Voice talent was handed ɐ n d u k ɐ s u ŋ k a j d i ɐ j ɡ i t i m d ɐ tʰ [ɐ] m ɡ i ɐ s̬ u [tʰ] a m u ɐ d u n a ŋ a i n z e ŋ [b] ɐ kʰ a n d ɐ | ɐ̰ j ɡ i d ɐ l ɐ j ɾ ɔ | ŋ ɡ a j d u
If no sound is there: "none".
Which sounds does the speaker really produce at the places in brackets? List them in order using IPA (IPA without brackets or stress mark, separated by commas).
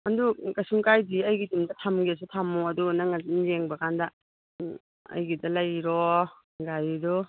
a, tʰ, b